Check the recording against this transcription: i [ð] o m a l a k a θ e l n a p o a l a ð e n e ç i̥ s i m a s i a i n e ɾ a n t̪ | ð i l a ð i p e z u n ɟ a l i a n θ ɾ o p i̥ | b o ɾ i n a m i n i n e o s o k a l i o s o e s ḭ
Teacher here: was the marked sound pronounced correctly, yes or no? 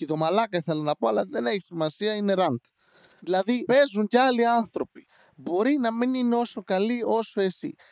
yes